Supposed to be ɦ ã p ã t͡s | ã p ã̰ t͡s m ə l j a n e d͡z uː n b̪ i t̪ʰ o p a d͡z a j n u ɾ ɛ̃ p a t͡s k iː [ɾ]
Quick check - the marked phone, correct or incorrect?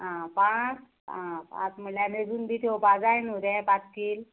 incorrect